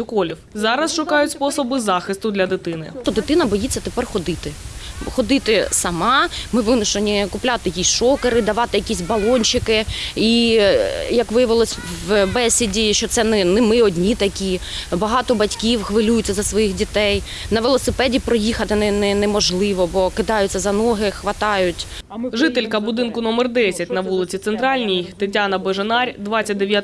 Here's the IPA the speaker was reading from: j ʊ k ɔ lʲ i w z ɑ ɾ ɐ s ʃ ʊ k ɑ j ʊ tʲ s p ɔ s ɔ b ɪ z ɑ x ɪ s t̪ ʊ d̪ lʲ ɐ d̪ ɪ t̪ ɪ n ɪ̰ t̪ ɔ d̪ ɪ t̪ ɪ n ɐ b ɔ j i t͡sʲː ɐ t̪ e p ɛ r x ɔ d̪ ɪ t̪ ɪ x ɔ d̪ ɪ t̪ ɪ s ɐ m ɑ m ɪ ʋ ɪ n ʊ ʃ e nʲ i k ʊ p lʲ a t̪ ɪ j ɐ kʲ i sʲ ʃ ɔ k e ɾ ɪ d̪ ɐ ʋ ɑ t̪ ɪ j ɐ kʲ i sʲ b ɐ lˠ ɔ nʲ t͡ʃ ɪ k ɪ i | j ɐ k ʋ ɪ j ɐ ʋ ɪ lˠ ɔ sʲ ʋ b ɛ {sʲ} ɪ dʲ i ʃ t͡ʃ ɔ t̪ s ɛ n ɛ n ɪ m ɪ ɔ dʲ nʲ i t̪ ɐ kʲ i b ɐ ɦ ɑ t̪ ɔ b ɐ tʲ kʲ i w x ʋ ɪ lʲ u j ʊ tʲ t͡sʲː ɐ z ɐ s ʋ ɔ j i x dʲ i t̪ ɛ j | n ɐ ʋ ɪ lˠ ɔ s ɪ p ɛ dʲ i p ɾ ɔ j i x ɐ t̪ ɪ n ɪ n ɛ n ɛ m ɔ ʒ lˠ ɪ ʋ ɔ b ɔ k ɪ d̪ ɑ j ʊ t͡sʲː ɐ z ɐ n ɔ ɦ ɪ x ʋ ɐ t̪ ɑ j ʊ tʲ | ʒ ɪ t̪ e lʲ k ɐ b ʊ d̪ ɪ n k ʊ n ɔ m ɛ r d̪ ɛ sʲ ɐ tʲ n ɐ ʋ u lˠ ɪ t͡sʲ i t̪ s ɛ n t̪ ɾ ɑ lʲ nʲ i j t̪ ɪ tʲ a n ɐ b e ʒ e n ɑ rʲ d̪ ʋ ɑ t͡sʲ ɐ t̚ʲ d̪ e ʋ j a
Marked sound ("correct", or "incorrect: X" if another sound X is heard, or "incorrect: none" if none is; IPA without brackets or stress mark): correct